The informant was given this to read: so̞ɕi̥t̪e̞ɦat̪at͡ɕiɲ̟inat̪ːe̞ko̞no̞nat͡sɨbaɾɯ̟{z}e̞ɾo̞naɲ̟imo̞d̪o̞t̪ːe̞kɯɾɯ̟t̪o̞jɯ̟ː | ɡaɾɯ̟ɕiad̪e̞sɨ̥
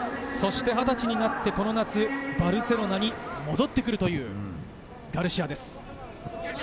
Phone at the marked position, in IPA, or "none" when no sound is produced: s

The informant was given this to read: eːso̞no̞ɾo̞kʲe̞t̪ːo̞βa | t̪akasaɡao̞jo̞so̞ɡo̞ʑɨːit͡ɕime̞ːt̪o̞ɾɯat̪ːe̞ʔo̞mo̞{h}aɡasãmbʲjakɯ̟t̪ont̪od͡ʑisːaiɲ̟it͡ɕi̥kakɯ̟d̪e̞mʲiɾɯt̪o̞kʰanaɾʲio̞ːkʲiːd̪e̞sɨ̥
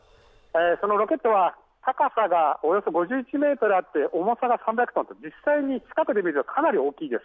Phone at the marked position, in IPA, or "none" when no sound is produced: s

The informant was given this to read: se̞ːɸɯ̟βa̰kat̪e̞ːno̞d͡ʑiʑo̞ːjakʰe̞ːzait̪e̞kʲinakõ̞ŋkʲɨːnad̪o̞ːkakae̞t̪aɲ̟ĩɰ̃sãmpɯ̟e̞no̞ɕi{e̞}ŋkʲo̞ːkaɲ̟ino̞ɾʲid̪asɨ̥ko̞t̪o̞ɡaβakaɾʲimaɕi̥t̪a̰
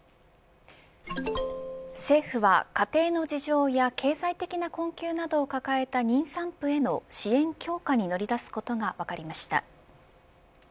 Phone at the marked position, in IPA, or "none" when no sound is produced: ẽ̞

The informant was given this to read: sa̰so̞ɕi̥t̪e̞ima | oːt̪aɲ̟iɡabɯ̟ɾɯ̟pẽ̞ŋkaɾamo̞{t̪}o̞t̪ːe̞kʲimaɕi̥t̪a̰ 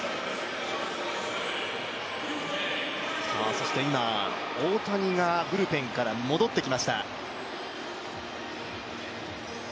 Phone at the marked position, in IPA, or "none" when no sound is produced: d̪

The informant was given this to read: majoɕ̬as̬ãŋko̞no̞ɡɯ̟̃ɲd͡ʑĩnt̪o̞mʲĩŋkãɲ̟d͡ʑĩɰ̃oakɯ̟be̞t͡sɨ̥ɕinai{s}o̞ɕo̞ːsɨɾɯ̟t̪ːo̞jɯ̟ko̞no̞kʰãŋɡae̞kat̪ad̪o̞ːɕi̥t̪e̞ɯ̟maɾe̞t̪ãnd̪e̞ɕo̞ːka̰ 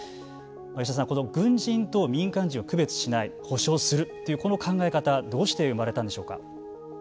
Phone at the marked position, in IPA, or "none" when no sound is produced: h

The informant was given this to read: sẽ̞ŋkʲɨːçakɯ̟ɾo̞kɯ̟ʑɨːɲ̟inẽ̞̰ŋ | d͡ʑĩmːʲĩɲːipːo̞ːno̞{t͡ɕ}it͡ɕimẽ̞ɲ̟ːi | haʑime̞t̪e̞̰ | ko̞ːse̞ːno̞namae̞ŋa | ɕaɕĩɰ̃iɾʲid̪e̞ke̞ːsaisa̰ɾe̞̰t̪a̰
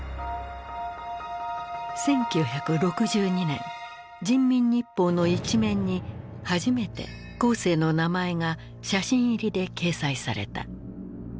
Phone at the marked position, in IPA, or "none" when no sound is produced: none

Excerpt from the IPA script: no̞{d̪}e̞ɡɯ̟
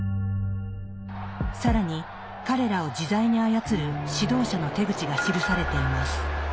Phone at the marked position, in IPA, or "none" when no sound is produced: t̪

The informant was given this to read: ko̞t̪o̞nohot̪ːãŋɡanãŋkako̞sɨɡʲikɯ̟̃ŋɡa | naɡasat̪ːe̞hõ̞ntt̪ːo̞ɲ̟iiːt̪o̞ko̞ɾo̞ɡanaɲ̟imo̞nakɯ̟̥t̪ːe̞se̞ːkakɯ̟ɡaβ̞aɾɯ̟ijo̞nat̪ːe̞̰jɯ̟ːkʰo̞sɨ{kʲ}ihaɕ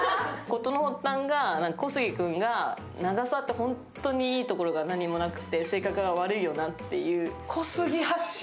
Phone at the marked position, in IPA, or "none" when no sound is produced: ɡʲ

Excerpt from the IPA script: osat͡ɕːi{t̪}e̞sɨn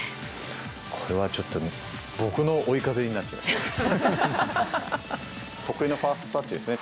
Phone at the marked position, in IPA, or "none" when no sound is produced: d̪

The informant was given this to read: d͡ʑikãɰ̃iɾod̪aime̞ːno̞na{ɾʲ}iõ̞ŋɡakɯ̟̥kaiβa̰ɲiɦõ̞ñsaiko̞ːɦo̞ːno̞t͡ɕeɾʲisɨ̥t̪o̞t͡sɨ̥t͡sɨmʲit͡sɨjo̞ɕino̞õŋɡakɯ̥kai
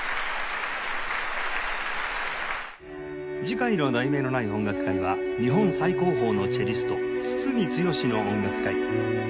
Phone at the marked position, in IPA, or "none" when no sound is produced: none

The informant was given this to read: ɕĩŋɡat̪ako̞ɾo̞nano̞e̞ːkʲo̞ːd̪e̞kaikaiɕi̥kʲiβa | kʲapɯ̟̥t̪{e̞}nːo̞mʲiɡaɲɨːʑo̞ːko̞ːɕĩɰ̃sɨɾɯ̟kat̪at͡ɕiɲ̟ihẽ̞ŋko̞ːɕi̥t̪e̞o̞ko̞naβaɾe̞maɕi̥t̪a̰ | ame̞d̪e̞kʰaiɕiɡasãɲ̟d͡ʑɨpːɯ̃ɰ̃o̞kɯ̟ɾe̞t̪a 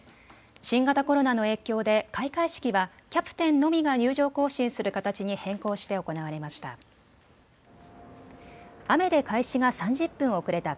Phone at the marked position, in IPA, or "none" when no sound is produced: ẽ̞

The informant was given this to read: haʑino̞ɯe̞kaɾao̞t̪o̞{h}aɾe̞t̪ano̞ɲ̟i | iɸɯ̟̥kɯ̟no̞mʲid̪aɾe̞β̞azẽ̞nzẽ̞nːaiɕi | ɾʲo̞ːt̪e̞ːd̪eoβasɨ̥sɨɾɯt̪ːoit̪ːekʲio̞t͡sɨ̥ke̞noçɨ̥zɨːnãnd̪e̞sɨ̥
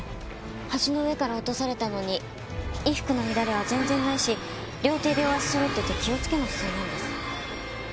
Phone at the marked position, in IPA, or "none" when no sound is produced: s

